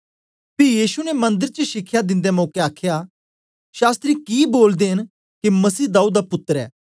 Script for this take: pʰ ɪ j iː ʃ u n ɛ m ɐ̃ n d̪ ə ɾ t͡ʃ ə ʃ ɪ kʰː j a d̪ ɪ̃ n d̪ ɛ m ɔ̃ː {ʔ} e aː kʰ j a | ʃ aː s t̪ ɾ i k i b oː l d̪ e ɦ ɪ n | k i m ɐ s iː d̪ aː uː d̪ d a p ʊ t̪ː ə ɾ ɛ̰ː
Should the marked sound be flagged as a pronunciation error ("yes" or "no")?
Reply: yes